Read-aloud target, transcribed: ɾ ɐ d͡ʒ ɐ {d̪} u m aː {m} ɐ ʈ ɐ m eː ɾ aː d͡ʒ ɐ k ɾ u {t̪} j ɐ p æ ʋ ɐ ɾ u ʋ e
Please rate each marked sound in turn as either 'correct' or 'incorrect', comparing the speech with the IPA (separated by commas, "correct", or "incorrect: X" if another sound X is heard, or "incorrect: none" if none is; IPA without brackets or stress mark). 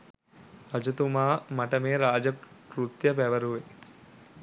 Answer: incorrect: t̪, correct, correct